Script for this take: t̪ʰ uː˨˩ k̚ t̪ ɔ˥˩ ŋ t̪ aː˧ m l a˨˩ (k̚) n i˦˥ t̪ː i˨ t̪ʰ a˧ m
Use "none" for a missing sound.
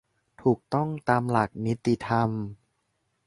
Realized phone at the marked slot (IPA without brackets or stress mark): k̚